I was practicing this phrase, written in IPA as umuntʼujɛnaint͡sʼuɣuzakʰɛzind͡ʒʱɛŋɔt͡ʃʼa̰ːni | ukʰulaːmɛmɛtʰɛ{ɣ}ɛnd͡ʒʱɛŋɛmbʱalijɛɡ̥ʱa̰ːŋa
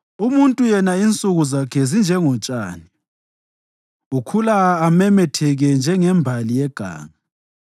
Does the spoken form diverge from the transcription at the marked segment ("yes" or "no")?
no